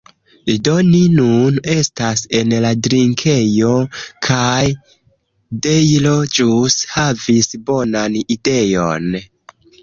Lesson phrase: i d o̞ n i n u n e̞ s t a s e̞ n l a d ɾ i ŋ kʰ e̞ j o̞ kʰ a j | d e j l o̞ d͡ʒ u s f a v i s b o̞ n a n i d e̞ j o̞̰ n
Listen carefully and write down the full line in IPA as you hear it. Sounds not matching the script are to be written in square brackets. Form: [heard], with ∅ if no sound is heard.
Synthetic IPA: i d o̞ n i n u n e̞ s t a s e̞ n l a d ɾ i ŋ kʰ e̞ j o̞ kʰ a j | d e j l o̞ d͡ʒ u s [h] a v i s b o̞ n a n i d e̞ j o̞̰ n